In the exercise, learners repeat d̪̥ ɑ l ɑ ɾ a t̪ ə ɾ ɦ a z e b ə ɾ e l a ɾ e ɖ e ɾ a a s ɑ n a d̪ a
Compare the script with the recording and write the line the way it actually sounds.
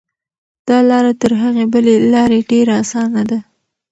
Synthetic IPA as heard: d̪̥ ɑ l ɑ ɾ a t̪ ə ɾ ɦ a ɣ e b ə l e l ɑ ɾ e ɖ e ɾ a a s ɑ n a d̪ a